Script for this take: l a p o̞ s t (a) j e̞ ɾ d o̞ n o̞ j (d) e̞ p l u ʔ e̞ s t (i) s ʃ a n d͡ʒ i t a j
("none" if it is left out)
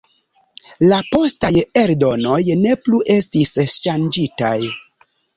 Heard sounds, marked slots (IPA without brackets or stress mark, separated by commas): a, n, i